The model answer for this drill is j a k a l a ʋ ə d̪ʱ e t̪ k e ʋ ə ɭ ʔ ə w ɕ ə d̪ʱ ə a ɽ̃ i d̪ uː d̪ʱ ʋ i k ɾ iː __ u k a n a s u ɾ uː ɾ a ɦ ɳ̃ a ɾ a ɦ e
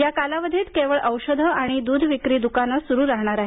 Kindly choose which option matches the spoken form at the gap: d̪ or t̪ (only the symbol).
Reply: d̪